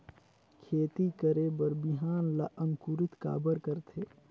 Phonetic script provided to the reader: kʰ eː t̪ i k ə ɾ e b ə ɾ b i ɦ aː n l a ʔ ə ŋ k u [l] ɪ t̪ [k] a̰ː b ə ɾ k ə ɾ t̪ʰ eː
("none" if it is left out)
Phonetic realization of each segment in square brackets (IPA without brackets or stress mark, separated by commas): ɾ, k